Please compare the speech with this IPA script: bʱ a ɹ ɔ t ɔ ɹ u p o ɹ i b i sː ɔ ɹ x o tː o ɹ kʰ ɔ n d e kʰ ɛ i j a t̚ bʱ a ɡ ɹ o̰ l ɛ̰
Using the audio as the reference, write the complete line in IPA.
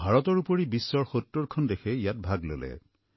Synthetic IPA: bʱ a ɹ ɔ t ɔ ɹ u p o ɹ i b i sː ɔ ɹ x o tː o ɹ kʰ ɔ n d e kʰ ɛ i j a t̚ bʱ a ɡ l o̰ l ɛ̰